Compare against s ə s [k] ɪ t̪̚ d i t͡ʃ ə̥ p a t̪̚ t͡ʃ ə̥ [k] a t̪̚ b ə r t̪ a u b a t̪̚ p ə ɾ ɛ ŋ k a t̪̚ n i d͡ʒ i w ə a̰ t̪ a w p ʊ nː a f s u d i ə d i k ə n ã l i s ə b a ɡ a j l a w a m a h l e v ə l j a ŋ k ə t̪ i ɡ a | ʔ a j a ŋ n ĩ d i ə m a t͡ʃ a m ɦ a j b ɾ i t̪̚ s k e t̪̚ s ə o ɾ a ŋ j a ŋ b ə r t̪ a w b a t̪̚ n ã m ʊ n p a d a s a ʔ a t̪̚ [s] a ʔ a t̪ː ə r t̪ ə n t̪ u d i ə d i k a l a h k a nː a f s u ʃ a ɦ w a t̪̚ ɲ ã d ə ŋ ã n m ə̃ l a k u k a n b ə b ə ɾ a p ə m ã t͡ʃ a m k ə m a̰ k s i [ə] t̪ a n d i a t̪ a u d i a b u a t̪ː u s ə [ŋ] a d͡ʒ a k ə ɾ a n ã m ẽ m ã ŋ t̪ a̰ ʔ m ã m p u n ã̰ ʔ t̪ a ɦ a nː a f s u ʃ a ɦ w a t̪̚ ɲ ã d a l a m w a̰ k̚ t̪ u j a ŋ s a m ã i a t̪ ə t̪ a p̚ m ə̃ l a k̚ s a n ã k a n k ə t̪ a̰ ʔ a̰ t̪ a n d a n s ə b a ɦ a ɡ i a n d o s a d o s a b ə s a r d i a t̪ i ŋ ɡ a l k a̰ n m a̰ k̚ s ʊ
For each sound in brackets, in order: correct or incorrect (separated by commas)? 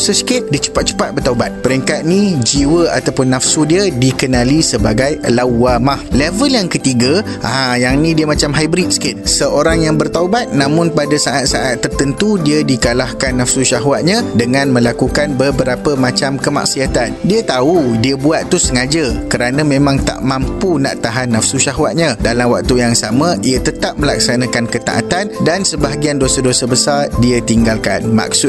correct, incorrect, correct, incorrect, correct